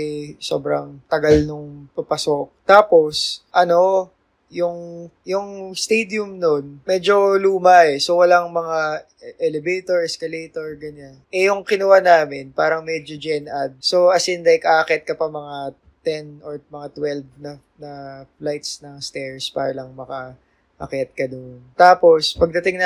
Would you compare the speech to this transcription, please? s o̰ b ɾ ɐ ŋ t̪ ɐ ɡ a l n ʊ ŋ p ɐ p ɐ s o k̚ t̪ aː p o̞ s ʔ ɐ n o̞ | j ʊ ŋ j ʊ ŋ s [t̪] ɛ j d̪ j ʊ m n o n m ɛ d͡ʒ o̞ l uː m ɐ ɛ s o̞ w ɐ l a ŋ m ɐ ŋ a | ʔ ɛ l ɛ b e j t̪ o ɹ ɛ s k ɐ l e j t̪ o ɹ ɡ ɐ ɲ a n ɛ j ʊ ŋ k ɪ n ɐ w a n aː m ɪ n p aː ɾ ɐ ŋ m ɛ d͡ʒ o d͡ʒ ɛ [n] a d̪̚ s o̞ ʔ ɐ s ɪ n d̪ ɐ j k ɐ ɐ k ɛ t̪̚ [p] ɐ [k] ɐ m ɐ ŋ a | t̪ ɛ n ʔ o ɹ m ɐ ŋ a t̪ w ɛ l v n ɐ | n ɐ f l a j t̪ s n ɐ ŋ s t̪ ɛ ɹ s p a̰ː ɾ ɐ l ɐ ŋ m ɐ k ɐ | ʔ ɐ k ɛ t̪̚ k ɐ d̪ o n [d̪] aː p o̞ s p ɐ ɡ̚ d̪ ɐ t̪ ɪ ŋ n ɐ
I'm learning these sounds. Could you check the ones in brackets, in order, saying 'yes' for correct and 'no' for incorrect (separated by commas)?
yes, yes, no, no, no